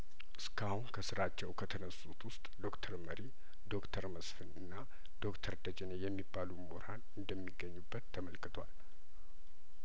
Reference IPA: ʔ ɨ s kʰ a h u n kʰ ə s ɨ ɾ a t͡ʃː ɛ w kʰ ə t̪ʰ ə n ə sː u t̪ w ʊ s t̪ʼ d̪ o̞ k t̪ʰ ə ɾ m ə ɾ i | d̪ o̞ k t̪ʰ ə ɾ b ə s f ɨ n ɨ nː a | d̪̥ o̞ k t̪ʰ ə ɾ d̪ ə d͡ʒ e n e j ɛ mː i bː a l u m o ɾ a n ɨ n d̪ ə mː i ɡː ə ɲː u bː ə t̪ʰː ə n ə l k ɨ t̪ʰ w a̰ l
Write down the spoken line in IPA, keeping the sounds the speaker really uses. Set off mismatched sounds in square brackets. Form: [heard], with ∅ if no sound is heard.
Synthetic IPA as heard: ʔ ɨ s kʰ a h u n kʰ ə s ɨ ɾ a t͡ʃː ɛ w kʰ ə t̪ʰ ə n ə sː u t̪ w ʊ s t̪ʼ d̪ o̞ k t̪ʰ ə ɾ m ə ɾ i | d̪ o̞ k t̪ʰ ə ɾ [m] ə s f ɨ n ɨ nː a | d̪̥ o̞ k t̪ʰ ə ɾ d̪ ə d͡ʒ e n e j ɛ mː i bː a l u m o ɾ a n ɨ n d̪ ə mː i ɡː ə ɲː u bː ə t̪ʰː ə [m] ə l k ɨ t̪ʰ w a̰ l